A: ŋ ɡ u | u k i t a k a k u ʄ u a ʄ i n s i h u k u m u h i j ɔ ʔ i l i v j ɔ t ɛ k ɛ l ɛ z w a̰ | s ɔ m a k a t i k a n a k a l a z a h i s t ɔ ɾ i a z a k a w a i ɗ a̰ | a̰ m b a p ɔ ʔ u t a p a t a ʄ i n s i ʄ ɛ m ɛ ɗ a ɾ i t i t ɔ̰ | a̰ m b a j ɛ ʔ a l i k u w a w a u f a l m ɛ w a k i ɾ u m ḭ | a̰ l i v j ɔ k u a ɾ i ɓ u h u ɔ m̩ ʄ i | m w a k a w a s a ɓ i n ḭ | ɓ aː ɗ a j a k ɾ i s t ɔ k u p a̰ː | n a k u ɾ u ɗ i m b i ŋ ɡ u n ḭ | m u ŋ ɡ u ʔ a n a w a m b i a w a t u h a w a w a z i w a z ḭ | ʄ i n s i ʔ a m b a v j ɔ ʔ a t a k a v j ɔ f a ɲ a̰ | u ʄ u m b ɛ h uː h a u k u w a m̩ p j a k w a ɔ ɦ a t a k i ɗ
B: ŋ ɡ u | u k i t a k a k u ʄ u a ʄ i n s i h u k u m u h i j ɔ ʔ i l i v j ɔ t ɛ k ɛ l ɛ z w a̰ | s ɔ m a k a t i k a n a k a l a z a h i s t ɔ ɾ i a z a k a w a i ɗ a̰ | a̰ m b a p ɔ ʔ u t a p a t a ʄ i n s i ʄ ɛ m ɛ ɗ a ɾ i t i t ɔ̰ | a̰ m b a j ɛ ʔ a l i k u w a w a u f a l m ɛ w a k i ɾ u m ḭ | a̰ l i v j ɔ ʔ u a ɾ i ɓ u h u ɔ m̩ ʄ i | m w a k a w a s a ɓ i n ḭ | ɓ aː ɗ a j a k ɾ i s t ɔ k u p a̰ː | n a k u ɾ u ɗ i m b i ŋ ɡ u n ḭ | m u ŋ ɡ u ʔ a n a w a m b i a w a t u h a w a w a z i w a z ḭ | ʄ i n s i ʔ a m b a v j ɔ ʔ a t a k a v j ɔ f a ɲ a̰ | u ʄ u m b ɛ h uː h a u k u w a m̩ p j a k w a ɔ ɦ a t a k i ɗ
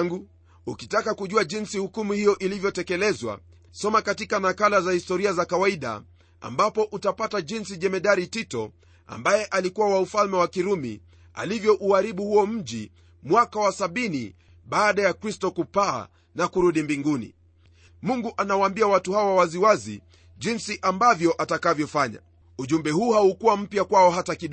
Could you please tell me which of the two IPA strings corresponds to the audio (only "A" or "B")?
B